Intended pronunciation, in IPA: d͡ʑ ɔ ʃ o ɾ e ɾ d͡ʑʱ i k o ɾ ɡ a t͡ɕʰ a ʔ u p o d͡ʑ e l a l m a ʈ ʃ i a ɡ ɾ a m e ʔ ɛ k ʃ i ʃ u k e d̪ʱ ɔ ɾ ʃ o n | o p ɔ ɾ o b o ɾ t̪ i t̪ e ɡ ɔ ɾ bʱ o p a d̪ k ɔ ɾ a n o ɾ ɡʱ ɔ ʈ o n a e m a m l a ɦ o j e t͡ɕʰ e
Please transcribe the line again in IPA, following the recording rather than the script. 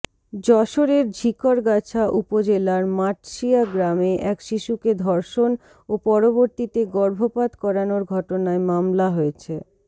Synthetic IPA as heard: d͡ʑ ɔ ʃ o ɾ e ɾ d͡ʑʱ i k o ɾ ɡ a t͡ɕʰ a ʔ u p o d͡ʑ e l a ɾ m a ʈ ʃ i a ɡ ɾ a m e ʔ ɛ k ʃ i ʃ u k e d̪ʱ ɔ ɾ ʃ o n | o p ɔ ɾ o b o ɾ t̪ i t̪ e ɡ ɔ ɾ bʱ o p a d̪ k ɔ ɾ a n o ɾ ɡʱ ɔ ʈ o n a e m a m l a ɦ o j e t͡ɕʰ e